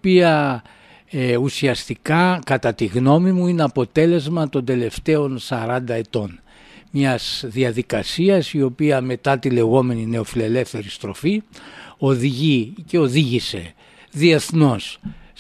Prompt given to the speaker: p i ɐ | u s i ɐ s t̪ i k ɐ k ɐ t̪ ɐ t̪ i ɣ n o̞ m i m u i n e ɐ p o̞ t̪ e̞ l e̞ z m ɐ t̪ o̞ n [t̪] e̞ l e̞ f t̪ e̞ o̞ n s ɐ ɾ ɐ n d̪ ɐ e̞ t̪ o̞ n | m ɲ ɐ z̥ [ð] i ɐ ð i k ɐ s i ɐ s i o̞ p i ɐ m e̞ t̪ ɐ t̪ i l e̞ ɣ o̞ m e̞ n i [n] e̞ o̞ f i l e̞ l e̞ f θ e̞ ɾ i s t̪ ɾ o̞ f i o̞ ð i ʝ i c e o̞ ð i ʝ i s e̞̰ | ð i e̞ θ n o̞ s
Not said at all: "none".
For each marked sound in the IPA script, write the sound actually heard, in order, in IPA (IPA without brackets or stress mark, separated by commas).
d̪, ð, n